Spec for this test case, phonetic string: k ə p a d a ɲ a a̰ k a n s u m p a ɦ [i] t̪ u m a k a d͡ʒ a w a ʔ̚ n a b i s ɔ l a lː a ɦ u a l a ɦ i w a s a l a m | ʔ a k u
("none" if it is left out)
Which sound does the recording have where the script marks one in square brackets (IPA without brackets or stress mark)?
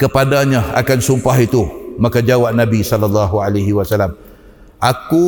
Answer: i